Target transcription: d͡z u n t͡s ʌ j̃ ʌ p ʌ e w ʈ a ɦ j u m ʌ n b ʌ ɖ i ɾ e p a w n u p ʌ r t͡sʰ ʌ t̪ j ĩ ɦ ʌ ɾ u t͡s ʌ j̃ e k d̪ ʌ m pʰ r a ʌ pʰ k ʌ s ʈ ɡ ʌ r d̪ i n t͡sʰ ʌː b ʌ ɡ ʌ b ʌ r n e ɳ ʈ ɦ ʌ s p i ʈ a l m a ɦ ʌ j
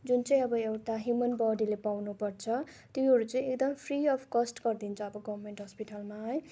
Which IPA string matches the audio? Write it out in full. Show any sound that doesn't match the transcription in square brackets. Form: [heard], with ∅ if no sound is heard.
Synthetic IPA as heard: d͡z u n t͡s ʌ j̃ ʌ [b] ʌ e w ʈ a ɦ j u m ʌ n b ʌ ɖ i [l] e p a w n u p ʌ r t͡sʰ ʌ t̪ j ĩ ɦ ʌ ɾ u t͡s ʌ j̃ e k d̪ ʌ m pʰ r [i] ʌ pʰ k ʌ s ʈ ɡ ʌ r d̪ i n t͡sʰ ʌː b ʌ ɡ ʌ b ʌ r [m] e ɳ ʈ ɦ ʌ s p i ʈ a l m a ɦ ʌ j